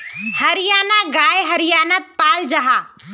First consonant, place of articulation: glottal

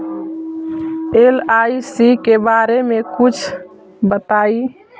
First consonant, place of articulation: alveolar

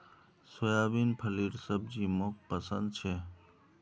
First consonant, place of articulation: alveolar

